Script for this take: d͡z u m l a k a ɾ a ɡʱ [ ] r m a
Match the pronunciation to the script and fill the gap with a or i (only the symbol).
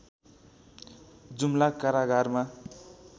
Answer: a